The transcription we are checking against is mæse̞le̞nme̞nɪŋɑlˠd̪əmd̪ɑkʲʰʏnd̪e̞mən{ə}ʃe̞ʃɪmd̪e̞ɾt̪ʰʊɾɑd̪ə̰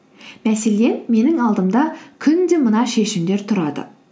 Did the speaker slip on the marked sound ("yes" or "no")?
yes